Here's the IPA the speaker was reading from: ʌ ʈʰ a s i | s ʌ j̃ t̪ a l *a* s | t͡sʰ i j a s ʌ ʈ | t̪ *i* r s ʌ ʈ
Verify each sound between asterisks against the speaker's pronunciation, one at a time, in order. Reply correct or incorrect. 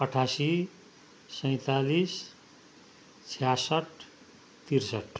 incorrect: i, correct

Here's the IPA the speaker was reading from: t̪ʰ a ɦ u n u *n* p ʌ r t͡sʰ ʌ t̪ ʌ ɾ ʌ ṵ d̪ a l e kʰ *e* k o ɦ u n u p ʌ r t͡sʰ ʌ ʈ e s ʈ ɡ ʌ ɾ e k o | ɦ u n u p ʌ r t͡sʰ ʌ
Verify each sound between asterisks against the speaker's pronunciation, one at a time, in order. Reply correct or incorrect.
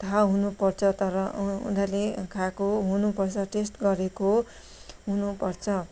incorrect: none, incorrect: a

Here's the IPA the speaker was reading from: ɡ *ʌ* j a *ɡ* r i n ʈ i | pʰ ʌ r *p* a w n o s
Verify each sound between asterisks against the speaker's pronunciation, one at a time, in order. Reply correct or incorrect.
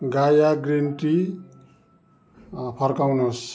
incorrect: a, correct, incorrect: k

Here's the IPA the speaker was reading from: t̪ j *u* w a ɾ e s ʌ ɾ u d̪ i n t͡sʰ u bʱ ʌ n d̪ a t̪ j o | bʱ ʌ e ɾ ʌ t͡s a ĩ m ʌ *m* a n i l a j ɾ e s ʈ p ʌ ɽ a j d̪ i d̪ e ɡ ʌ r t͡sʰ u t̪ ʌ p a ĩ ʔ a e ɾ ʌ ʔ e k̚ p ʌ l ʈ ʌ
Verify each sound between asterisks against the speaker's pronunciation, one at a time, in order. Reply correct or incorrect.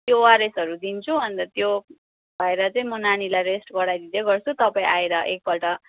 incorrect: o, incorrect: n

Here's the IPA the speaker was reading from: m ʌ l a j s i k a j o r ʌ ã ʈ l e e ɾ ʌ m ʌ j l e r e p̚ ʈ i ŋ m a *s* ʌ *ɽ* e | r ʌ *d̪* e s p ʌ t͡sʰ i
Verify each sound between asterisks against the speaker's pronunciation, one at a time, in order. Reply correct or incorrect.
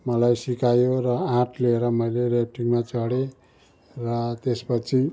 incorrect: t͡s, correct, incorrect: t̪

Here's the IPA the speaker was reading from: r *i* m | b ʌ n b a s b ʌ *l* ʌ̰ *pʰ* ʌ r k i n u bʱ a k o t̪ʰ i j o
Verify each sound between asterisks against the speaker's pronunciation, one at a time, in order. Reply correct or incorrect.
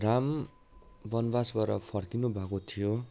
incorrect: a, incorrect: ɾ, correct

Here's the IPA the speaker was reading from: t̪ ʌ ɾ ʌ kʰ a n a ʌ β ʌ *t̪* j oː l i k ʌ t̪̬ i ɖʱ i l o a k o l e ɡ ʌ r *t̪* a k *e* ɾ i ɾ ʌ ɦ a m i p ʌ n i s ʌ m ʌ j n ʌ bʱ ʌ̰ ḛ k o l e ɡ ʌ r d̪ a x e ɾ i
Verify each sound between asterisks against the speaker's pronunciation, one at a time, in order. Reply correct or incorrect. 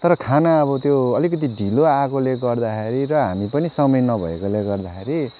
correct, incorrect: d̪, correct

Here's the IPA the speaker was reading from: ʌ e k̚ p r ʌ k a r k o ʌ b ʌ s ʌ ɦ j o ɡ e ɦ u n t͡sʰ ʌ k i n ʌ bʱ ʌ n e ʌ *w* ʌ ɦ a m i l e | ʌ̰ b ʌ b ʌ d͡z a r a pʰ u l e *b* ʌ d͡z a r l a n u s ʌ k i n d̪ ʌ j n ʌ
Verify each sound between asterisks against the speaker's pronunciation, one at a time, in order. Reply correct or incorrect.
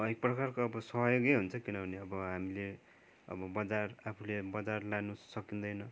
incorrect: b, correct

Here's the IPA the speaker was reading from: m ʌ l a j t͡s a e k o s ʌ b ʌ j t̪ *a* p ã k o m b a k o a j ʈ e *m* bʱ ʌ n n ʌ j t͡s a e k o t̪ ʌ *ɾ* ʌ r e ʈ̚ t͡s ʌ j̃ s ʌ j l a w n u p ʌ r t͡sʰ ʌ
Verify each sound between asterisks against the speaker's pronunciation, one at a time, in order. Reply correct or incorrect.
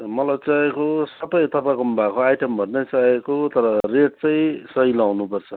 incorrect: ʌ, correct, correct

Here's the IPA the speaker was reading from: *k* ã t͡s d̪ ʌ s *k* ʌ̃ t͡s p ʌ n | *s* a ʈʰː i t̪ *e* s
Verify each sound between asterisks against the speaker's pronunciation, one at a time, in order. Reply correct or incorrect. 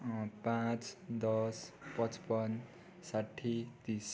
incorrect: p, incorrect: p, correct, incorrect: i

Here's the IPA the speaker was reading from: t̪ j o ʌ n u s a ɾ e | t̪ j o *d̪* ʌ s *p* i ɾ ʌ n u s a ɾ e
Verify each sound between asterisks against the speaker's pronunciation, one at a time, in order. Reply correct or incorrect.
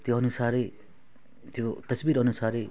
incorrect: t̪, incorrect: b

